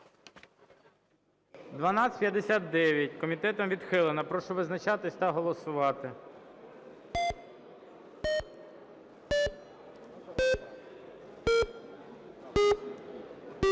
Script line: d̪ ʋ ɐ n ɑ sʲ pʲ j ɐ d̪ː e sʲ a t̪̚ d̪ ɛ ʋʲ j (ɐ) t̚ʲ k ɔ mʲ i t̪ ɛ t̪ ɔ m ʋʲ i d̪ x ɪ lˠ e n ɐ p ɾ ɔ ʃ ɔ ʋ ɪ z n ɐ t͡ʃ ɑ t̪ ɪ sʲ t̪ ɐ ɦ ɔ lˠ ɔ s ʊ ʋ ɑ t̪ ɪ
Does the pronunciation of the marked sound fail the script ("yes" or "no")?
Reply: no